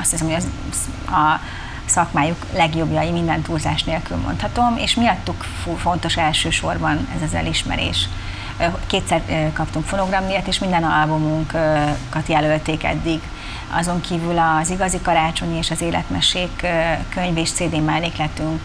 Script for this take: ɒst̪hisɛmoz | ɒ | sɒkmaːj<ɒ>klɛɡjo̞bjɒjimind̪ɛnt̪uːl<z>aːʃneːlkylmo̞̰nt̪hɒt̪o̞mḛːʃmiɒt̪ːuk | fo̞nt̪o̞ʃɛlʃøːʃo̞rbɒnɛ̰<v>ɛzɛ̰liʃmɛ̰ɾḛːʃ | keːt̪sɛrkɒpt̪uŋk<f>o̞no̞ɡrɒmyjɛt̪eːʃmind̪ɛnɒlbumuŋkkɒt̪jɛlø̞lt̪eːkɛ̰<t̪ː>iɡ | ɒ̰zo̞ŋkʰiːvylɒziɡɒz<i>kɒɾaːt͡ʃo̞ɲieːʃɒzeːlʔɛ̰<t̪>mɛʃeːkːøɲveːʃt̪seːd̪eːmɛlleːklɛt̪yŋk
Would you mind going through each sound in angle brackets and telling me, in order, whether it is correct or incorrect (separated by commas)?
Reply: incorrect, correct, incorrect, correct, incorrect, correct, correct